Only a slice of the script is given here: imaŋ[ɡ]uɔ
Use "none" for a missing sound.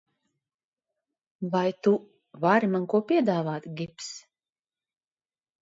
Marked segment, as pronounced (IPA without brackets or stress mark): k